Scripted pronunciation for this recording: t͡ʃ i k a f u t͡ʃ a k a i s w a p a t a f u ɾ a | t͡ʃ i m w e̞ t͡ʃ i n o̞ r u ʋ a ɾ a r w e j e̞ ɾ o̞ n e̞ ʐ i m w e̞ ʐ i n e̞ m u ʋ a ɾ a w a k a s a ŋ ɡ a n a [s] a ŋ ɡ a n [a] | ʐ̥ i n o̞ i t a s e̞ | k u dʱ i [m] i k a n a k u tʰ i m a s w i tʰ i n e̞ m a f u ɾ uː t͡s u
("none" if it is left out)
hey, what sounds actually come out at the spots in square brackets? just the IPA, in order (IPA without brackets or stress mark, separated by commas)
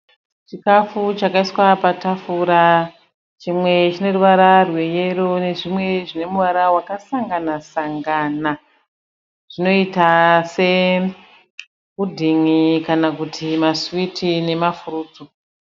s, a, ŋ